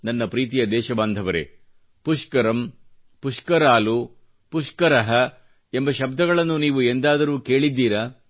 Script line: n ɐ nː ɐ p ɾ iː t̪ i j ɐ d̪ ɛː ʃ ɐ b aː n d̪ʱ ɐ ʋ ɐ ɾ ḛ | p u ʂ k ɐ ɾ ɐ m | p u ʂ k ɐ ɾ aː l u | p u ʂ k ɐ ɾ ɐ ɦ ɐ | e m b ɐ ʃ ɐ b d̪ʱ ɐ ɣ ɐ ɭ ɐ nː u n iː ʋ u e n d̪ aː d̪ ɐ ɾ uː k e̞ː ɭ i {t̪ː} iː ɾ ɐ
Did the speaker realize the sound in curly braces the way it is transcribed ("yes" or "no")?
no